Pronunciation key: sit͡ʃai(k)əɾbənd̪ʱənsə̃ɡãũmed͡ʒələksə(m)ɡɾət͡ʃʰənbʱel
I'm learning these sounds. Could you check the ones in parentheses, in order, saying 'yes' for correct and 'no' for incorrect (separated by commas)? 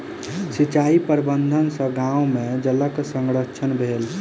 no, no